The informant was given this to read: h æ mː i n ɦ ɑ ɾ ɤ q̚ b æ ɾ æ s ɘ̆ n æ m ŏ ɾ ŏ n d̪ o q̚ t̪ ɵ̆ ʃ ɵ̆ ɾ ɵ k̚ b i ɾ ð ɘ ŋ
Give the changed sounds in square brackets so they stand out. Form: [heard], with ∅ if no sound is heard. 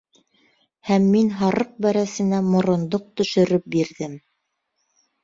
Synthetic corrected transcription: h æ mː i n ɦ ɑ ɾ ɤ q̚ b æ ɾ æ s ɘ̆ n æ m ŏ ɾ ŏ n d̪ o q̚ t̪ ɵ̆ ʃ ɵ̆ ɾ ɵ [p̚] b i ɾ ð ɘ [m]